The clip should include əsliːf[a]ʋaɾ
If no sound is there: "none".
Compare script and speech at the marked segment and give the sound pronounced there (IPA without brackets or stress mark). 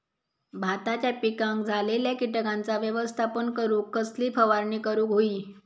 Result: ə